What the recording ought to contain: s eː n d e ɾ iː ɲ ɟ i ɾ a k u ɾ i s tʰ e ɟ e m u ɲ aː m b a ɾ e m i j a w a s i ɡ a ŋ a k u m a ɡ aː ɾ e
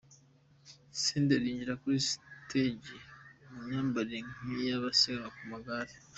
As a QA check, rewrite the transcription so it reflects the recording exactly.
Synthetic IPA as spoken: s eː n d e ɾ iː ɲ ɟ i ɾ a k u ɾ i s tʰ e ɟ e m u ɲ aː m b a ɾ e ŋ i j a β a s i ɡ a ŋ a k u m a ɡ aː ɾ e